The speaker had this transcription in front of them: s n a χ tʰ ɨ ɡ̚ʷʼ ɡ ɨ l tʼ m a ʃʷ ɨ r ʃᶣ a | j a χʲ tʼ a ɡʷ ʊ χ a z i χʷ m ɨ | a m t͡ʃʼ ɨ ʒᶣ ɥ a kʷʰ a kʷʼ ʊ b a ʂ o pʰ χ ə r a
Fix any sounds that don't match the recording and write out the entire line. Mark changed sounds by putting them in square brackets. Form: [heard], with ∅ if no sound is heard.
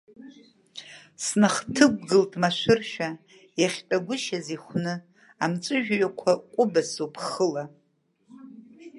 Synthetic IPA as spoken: s n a χ tʰ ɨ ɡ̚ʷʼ ɡ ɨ l tʼ m a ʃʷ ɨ r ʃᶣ a | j a χʲ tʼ a ɡʷ ʊ [ʃ] a z i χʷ [n] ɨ | a m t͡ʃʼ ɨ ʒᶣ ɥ a kʷʰ a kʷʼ ʊ b a [s] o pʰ χ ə [l] a